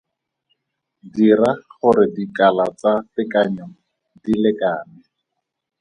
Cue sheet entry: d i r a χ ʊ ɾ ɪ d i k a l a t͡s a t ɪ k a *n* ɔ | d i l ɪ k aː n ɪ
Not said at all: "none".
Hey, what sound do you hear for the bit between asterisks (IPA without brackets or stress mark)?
ɲ